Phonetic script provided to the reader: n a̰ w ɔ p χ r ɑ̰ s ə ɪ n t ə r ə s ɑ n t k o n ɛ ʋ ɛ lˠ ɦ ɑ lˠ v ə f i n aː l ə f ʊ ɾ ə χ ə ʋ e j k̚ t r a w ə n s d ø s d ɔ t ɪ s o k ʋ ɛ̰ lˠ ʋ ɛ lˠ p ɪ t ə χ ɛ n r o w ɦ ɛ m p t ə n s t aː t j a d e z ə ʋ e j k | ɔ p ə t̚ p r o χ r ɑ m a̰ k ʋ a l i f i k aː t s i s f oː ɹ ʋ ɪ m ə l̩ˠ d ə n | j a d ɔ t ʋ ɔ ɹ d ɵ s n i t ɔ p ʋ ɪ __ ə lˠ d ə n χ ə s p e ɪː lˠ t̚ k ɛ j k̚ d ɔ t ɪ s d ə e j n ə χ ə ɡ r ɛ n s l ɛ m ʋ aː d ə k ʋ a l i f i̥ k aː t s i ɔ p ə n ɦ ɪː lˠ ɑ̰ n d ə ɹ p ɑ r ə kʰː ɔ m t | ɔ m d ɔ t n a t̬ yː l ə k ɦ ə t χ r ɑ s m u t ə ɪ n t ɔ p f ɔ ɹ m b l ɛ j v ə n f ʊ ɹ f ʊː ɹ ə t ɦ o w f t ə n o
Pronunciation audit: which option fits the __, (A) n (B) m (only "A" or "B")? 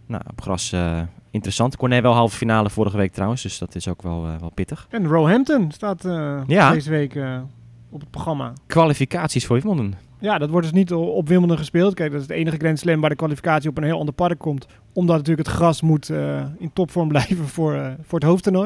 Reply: B